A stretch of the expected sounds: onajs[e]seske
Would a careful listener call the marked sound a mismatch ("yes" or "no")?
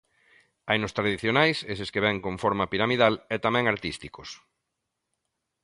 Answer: no